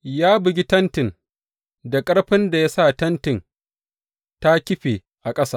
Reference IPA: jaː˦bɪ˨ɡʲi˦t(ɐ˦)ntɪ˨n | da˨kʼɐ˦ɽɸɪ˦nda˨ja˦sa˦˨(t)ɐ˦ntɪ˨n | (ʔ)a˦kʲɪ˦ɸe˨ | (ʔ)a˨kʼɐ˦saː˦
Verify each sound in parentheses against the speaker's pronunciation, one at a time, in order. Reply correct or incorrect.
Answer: correct, correct, incorrect: t, correct

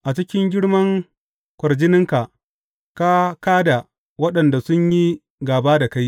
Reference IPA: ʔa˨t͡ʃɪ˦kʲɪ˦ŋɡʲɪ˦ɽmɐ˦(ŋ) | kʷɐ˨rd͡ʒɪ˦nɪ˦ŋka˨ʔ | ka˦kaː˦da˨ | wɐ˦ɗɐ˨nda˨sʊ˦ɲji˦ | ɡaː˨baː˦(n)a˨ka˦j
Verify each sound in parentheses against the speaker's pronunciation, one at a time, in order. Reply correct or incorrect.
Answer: correct, incorrect: d

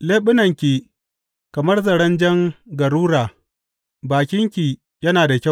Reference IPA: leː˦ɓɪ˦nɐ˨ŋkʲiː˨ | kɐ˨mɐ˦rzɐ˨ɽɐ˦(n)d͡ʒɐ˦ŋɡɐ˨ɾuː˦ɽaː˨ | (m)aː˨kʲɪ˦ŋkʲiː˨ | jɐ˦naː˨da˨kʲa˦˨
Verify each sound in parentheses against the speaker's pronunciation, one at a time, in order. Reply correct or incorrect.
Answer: correct, incorrect: b

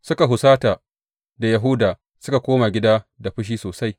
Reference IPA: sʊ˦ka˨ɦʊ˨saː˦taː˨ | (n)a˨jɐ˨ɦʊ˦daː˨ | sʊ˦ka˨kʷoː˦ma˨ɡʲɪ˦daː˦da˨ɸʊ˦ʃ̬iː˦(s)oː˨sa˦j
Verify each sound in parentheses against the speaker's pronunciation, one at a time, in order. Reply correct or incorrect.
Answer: incorrect: d, correct

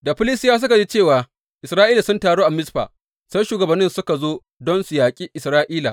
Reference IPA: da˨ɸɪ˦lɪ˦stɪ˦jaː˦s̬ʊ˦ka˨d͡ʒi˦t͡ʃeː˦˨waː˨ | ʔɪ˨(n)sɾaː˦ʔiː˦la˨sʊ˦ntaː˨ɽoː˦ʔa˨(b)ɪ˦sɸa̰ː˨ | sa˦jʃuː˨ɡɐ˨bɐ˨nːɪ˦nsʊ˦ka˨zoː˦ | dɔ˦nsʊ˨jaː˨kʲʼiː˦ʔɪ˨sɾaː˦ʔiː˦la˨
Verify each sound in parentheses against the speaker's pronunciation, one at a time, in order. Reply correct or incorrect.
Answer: incorrect: none, incorrect: m

